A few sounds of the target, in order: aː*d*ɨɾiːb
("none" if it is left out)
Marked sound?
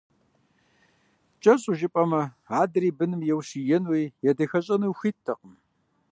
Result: d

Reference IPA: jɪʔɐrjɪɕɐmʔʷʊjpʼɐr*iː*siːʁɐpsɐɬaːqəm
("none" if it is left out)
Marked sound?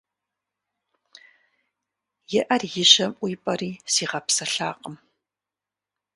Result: iː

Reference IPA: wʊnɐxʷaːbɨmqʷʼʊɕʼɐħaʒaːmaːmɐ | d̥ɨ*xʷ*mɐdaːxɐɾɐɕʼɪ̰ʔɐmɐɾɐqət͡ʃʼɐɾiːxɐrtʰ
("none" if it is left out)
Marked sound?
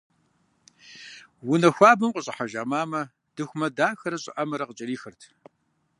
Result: xʷ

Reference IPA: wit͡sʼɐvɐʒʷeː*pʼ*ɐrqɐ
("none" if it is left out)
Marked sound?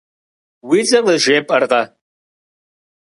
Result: pʼ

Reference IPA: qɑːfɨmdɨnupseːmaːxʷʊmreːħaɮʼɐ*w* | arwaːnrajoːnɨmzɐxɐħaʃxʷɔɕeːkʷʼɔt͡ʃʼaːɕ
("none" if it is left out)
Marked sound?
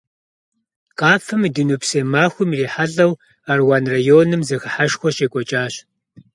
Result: w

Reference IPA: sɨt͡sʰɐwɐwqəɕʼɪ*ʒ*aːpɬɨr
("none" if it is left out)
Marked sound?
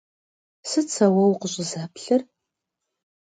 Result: z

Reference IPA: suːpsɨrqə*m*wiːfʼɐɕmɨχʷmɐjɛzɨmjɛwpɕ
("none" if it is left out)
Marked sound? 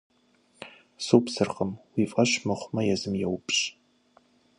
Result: m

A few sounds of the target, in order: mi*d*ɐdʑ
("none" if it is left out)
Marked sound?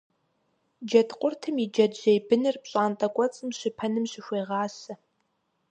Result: d͡ʒ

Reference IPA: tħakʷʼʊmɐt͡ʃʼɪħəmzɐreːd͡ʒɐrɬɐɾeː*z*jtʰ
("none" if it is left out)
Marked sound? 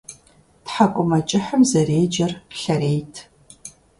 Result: none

